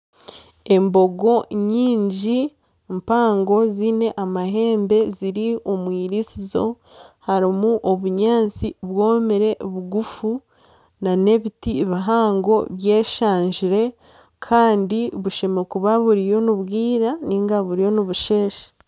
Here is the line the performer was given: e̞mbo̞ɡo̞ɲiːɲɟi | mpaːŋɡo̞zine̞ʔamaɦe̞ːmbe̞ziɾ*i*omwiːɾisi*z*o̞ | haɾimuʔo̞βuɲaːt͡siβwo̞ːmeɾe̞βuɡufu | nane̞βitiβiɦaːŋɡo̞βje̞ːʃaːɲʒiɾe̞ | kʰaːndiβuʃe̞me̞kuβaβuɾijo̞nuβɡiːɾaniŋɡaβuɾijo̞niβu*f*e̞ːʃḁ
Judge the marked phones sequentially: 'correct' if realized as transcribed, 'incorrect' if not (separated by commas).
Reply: correct, correct, incorrect